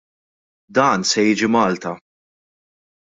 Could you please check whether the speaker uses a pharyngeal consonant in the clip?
no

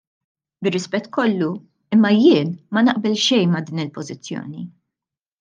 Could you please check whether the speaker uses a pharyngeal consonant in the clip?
no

